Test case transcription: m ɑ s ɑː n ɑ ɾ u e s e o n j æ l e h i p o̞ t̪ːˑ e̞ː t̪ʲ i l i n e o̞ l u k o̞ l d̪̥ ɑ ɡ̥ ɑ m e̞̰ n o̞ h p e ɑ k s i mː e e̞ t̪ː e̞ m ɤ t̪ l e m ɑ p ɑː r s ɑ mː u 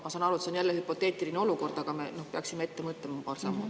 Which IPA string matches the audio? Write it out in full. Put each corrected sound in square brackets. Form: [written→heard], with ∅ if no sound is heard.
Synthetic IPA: m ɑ s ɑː n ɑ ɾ u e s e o n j æ [l→lː] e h [i→y] p o̞ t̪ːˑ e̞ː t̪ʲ i l i n e o̞ l u k o̞ [l→r] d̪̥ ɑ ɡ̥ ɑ m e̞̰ n o̞ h p e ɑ k s i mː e e̞ t̪ː e̞ m ɤ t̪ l e m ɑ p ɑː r s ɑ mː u